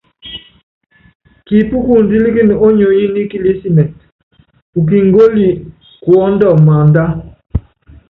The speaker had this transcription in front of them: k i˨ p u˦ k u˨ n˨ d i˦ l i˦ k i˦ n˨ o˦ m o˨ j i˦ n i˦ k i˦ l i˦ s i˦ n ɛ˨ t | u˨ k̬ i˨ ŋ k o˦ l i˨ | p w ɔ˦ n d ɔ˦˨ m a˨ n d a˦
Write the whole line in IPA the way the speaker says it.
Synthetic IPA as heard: k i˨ p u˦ k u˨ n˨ d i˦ l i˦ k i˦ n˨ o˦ ɲ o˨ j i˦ n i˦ k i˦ l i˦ s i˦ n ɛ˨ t | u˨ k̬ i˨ ŋ ɡ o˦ l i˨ | k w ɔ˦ n d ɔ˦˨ m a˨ n d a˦